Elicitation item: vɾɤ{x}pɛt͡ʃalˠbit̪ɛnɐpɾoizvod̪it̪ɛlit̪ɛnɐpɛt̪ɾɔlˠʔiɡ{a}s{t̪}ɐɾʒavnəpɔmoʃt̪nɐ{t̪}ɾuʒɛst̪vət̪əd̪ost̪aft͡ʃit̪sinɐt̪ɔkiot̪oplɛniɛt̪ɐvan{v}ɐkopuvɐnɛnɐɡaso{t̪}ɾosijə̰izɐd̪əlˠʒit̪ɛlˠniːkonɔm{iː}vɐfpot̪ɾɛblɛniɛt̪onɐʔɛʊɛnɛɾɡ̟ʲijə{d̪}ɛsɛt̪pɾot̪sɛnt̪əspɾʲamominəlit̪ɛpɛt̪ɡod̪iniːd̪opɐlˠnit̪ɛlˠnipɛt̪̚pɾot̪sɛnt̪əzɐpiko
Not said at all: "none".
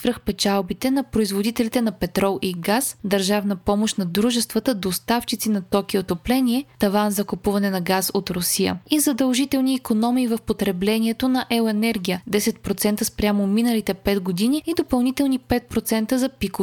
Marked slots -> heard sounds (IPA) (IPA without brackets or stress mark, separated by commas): x, a, d̪, d̪, z, t̪, iː, d̪